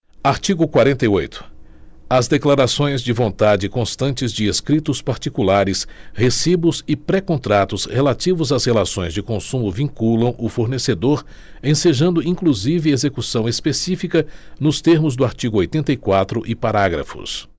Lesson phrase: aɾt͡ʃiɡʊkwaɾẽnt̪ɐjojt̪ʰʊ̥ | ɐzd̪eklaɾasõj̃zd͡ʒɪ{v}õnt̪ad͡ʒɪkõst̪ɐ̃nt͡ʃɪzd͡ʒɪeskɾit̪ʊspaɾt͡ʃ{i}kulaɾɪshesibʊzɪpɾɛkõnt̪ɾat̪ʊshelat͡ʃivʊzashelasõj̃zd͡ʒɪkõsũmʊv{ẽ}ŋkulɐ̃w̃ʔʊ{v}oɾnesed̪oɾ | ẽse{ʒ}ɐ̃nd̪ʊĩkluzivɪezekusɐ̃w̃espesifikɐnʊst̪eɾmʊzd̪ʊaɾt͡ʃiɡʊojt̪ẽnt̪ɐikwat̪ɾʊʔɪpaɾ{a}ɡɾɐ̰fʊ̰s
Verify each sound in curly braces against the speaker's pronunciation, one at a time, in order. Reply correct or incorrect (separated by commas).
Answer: correct, correct, incorrect, incorrect, correct, correct